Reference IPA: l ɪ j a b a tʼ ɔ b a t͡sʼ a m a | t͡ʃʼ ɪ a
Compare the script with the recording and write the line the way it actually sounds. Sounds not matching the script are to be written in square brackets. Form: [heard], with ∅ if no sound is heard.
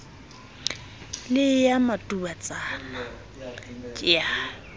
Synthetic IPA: l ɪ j a [m] a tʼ [u] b a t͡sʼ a [n] a | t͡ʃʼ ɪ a